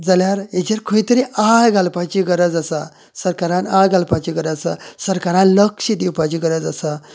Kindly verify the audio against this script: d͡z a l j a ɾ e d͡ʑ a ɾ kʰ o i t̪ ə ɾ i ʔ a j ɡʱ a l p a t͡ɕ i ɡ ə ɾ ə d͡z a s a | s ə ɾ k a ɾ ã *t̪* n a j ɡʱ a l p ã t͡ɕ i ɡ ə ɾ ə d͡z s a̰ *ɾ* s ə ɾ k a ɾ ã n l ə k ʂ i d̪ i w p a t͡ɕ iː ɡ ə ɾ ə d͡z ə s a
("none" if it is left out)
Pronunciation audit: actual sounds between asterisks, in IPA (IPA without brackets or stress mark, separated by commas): none, none